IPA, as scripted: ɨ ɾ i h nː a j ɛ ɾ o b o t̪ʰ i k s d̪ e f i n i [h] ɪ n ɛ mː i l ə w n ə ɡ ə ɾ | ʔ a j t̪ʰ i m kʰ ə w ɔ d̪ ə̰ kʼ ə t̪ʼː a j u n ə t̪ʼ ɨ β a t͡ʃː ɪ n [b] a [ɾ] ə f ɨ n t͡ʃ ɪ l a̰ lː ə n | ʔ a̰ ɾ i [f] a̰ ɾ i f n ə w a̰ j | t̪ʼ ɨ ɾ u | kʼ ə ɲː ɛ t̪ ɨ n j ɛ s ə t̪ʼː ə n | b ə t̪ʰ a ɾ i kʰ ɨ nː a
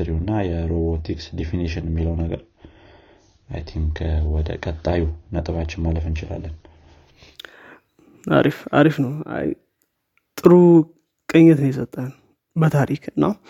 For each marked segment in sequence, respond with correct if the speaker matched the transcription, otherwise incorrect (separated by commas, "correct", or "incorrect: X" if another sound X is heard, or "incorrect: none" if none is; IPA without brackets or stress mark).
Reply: incorrect: ʃ, incorrect: m, incorrect: l, correct